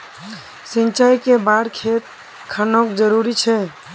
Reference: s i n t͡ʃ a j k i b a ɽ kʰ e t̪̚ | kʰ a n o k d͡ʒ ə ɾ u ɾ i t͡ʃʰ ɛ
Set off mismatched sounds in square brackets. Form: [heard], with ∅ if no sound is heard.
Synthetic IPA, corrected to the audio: s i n t͡ʃ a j k [e] b a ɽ kʰ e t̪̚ | kʰ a n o k d͡ʒ ə ɾ u ɾ i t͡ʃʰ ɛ